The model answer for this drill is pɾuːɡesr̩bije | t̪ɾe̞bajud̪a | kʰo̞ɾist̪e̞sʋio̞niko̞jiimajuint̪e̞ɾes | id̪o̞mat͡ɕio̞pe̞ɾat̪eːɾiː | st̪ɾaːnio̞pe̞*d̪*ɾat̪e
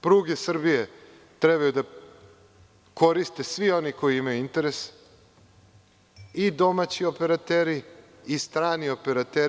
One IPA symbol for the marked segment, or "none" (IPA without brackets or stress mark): none